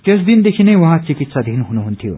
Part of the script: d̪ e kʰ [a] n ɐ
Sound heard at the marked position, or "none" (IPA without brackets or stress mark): i